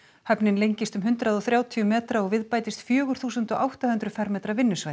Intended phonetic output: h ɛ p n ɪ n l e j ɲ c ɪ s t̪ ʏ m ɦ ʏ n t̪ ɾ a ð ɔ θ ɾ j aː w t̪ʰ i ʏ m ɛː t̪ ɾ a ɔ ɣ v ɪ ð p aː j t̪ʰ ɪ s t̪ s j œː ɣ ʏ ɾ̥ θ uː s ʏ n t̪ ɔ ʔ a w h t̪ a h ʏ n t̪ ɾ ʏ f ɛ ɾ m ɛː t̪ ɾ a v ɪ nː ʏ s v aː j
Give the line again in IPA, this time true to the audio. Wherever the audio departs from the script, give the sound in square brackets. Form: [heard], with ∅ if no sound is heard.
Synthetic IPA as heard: h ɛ p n ɪ n l e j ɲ c ɪ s t̪ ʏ m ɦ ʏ n t̪ ɾ a ð ɔ θ ɾ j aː w t̪ʰ i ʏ m ɛː t̪ ɾ a ɔ ɣ v ɪ ð p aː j [t̪] ɪ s t̪ [f] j œː ɣ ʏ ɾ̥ θ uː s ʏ n t̪ ɔ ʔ a w h t̪ a h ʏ n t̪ ɾ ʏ f ɛ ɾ m ɛː t̪ ɾ a v ɪ nː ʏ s v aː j